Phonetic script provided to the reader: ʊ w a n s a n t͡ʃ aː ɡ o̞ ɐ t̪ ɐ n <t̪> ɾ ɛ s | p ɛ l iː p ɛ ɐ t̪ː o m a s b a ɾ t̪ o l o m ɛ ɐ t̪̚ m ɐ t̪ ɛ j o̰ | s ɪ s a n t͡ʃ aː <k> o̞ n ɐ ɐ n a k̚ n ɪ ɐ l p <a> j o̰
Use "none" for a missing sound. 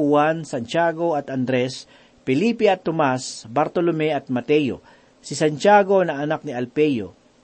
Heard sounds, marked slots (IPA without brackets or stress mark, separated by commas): d̪, ɡ, ɛ